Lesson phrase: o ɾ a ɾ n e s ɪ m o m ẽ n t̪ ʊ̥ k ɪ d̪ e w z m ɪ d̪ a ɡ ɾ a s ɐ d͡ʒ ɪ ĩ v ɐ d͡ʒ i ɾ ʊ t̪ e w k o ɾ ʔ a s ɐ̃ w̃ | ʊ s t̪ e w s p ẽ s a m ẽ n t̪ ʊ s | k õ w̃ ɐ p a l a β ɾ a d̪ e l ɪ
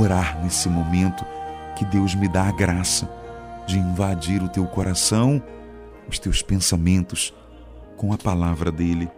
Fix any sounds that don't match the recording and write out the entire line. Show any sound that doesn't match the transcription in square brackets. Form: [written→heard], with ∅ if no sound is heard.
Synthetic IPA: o ɾ a ɾ n e s ɪ m o m ẽ n t̪ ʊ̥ k ɪ d̪ e w z m ɪ d̪ a ɡ ɾ a s ɐ d͡ʒ ɪ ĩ v [ɐ→a] d͡ʒ i ɾ ʊ t̪ e w k o ɾ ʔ a s ɐ̃ w̃ | ʊ s t̪ e w s p ẽ s a m ẽ n t̪ ʊ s | k õ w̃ ɐ p a l a [β→v] ɾ [a→ɐ] d̪ e l ɪ